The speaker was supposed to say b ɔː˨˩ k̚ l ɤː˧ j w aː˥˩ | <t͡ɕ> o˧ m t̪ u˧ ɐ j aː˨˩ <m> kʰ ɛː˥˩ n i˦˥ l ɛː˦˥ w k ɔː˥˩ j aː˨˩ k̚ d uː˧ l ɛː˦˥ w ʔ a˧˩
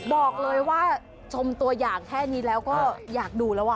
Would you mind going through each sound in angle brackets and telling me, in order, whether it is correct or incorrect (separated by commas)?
incorrect, incorrect